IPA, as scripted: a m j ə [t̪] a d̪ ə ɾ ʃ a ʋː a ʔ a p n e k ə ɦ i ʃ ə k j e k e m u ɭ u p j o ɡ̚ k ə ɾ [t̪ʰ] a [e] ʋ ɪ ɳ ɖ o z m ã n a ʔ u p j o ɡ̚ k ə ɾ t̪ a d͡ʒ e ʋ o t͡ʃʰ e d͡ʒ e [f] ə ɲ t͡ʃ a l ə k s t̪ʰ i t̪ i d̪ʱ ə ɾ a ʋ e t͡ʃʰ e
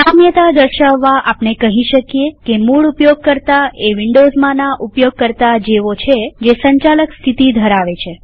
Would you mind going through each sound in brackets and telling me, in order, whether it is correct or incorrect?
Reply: correct, incorrect: t̪, correct, incorrect: s

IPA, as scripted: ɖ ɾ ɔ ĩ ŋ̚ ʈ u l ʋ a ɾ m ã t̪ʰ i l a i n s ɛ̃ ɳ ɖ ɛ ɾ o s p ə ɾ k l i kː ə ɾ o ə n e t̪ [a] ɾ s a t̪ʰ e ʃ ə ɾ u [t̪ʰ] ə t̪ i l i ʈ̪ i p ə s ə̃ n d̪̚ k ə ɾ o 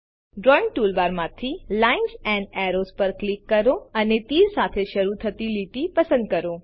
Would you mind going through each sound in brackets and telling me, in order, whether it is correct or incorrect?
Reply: incorrect: i, correct

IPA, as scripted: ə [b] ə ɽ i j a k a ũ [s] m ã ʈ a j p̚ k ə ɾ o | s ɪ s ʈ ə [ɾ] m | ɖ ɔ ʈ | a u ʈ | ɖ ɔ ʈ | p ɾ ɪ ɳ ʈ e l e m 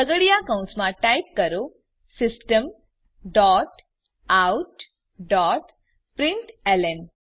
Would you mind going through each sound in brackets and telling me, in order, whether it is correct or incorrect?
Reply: incorrect: ɡ, correct, incorrect: none

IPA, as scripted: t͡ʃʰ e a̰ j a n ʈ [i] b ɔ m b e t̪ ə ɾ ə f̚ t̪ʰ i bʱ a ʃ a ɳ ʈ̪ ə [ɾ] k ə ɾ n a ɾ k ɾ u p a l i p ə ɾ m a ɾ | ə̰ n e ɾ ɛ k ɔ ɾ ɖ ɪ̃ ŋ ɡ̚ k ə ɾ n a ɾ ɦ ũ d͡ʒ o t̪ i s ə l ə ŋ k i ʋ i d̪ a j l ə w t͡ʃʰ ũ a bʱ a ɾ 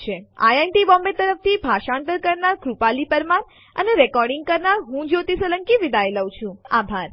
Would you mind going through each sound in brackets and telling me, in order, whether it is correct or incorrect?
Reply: correct, correct

